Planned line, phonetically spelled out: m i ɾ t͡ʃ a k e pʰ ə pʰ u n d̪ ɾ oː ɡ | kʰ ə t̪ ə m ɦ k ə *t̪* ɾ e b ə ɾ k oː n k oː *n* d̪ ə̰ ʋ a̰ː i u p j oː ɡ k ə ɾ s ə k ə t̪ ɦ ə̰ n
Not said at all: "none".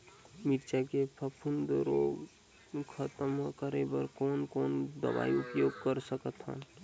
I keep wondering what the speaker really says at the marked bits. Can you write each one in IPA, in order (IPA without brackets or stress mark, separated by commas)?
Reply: none, n